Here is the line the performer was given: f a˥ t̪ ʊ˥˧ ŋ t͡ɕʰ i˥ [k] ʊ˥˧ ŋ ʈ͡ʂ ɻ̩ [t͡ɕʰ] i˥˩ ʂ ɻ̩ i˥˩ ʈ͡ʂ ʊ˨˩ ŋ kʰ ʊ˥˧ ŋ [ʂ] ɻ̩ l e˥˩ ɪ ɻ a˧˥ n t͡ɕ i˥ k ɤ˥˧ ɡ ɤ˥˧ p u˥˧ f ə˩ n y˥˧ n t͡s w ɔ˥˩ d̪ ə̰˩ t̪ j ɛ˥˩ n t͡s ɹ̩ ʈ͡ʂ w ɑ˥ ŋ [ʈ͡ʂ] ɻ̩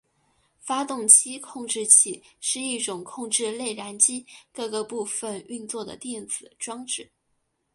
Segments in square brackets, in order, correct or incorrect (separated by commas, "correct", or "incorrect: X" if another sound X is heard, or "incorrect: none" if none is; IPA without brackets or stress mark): incorrect: kʰ, correct, incorrect: ʈ͡ʂ, correct